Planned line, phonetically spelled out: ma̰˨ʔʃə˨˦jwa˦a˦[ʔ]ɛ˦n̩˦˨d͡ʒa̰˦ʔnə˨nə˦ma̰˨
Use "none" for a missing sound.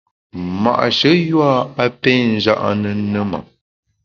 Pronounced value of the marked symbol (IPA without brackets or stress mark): p